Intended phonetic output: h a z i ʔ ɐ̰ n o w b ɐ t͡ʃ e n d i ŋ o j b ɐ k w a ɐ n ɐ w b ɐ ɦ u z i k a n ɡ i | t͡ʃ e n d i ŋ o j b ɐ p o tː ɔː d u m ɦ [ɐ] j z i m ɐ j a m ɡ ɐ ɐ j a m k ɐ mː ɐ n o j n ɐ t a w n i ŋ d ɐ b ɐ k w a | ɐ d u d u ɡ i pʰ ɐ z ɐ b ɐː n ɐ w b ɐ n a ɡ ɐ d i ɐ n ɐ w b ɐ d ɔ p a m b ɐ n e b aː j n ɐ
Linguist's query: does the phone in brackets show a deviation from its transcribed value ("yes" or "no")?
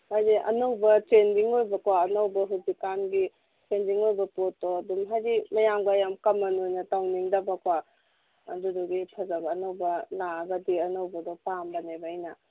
yes